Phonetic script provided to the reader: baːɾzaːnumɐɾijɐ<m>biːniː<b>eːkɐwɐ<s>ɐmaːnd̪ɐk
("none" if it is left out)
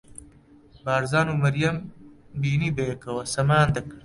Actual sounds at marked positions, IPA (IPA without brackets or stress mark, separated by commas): m, b, s